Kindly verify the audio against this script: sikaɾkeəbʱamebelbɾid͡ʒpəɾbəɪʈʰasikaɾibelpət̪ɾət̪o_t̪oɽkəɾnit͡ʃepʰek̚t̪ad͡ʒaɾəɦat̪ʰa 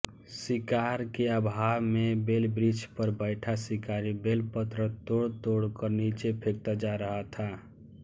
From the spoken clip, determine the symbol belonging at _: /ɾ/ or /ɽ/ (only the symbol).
ɽ